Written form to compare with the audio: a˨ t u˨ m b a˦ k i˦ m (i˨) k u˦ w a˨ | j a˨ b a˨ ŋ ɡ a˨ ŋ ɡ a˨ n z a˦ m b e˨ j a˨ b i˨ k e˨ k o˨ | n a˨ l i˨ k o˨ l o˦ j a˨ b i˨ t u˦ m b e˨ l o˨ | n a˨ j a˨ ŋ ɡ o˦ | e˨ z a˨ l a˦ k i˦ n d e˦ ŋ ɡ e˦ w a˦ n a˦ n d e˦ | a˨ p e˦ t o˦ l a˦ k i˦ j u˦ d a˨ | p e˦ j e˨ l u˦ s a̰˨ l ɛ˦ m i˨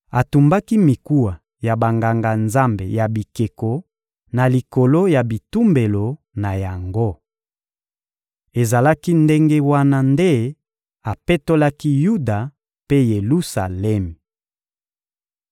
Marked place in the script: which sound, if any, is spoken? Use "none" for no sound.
i˨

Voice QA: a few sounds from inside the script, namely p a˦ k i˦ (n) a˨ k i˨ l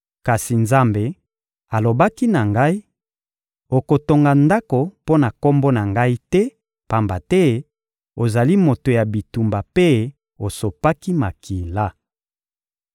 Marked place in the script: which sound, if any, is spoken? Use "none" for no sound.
m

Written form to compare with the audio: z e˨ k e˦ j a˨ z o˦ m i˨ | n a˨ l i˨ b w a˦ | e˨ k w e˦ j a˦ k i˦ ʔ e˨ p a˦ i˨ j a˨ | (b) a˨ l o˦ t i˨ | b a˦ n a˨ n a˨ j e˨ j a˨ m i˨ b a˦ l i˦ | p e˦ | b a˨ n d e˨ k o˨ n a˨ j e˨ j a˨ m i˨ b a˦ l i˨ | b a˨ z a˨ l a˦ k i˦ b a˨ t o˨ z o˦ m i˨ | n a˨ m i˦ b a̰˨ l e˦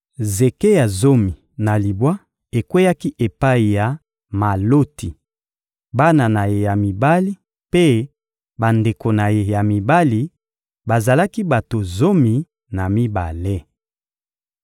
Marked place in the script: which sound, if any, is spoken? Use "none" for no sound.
m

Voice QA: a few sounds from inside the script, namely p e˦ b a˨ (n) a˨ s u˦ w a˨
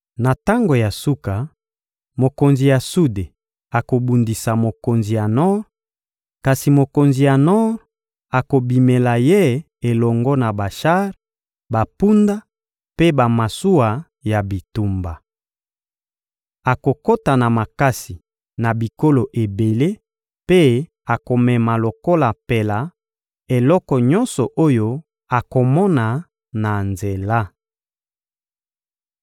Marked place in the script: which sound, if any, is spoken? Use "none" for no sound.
m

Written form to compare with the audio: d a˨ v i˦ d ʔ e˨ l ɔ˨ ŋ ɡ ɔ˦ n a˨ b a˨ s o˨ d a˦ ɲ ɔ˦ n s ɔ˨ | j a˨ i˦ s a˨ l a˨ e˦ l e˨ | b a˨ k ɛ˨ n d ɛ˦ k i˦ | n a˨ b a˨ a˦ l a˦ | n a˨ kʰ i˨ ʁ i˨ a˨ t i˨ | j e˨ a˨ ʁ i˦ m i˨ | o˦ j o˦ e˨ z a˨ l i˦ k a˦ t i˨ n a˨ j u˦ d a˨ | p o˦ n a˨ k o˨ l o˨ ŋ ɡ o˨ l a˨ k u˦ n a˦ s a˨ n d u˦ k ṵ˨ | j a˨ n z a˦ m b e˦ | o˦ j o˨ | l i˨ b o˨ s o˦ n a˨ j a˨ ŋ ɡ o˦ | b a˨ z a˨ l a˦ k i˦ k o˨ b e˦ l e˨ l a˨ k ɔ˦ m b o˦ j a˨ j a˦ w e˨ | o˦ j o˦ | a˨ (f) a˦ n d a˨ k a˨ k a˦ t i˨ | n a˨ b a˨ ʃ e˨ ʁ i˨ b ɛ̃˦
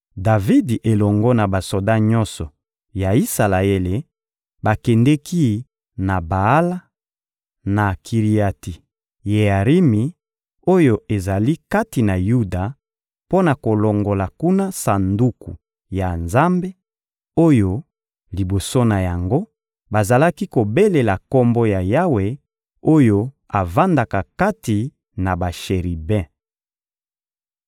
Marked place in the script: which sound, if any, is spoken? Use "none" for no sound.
v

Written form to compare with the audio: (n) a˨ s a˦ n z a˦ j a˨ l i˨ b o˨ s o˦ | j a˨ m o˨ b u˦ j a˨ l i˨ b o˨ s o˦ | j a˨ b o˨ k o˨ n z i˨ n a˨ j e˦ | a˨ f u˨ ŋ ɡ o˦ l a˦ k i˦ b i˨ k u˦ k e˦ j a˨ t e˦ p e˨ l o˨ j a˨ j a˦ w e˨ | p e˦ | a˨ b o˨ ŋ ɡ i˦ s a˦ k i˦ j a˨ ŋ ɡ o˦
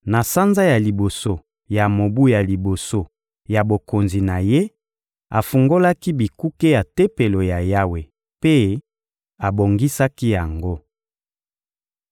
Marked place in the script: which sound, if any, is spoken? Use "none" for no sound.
n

